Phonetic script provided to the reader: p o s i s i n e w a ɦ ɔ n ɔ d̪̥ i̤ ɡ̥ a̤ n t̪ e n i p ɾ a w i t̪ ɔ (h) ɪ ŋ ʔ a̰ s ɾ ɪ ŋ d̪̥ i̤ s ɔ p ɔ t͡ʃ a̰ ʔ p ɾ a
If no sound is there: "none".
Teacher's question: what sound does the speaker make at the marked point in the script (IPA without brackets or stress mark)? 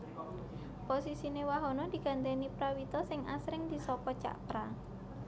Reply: s